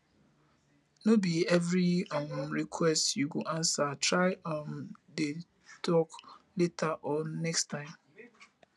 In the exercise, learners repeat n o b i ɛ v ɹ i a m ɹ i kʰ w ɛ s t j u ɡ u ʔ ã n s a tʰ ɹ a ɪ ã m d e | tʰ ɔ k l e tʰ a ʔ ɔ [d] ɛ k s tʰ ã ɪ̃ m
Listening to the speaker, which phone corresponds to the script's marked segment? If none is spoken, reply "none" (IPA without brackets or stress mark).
n